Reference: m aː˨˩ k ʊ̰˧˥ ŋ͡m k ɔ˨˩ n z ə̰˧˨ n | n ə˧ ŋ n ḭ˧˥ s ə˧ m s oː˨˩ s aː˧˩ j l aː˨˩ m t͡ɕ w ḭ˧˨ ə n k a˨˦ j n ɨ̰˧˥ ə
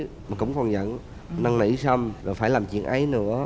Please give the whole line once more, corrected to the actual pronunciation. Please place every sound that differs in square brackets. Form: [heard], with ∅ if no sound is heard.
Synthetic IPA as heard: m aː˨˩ k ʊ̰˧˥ ŋ͡m k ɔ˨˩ n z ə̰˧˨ n | n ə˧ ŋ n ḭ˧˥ s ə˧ m [z] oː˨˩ [f] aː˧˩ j l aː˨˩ m t͡ɕ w ḭ˧˨ ə n [ʔ] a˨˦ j n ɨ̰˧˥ ə